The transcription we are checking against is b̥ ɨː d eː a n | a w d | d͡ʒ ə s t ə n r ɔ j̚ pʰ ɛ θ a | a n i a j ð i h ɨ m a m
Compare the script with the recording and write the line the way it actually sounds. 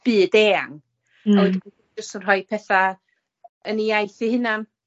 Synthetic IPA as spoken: b̥ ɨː d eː a ŋ | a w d | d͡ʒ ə s t ə n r ɔ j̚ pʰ ɛ θ a | ə n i a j θ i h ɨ n a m